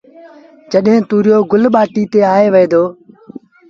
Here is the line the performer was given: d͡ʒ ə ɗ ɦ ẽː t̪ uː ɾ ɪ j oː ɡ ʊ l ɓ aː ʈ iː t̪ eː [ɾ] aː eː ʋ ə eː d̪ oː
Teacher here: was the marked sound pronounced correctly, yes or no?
no